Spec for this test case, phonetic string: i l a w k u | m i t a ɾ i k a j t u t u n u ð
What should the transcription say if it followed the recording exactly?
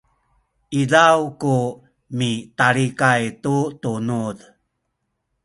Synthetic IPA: i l a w k u | m i t a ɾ i k a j t u t u n u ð